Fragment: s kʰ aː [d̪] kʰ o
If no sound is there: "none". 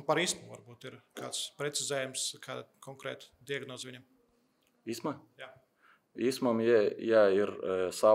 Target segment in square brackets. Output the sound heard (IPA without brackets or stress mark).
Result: d̪